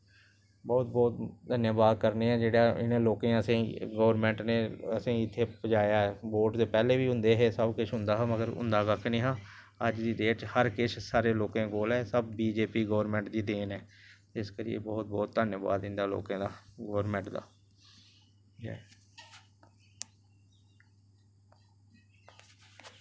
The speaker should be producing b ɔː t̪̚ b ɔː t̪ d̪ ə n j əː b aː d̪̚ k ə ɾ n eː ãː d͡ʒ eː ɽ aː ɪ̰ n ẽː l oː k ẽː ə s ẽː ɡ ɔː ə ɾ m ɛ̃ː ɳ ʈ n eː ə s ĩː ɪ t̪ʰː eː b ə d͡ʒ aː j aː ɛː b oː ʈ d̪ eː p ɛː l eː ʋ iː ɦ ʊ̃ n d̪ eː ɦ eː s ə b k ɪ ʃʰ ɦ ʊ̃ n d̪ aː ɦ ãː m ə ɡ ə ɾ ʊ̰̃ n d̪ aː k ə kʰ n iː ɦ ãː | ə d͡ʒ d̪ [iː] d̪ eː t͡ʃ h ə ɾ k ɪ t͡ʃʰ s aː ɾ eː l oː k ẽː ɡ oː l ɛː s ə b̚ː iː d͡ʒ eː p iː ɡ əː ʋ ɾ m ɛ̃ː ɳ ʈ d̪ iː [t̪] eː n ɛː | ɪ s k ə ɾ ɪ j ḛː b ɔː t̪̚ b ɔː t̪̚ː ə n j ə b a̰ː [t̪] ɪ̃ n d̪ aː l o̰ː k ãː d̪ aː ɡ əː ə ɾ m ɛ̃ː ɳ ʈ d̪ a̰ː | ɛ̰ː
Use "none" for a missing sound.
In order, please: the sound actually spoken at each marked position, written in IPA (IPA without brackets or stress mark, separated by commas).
iː, d̪, d̪